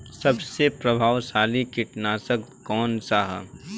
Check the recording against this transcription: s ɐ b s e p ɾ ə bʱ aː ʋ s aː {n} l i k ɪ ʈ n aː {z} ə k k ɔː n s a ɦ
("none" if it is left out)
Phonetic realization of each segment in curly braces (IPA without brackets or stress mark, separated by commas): none, s